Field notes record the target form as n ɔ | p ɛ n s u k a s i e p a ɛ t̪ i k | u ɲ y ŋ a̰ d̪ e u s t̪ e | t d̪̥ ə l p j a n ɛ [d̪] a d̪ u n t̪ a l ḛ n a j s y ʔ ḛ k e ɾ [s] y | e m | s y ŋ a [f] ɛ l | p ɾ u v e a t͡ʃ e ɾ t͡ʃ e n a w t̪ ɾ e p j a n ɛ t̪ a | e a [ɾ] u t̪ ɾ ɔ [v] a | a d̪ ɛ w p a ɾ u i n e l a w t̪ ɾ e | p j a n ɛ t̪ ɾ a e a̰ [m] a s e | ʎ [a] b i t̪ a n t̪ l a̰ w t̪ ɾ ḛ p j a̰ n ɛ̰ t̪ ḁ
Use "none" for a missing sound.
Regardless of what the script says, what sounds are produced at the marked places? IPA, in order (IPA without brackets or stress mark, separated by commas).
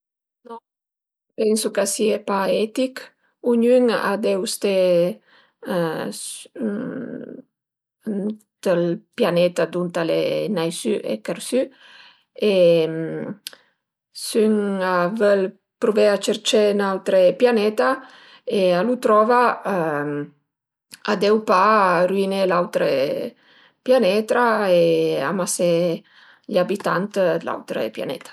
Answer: t̪, s, v, l, v, m, a